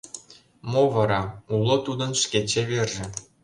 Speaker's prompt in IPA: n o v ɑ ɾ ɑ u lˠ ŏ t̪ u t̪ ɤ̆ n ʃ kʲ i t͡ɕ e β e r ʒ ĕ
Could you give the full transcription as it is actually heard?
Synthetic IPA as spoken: m o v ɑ ɾ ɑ u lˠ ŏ t̪ u d̪ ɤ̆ n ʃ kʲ e t͡ɕ e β e r ʒ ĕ